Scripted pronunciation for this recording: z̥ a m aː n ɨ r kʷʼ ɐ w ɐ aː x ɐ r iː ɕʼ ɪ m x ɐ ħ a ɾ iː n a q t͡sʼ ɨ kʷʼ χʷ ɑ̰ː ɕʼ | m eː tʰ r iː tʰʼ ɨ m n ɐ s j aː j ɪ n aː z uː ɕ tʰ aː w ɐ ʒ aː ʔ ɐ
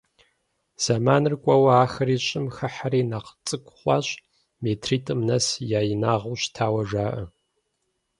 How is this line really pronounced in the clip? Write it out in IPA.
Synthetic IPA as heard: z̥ a m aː n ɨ r kʷʼ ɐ w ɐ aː x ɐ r iː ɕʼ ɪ m x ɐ ħ a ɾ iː n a q t͡sʼ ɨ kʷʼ χʷ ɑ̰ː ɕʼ | m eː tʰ r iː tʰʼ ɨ m n ɐ s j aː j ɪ n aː ʁ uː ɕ tʰ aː w ɐ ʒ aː ʔ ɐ